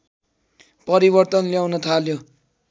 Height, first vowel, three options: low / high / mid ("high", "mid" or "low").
mid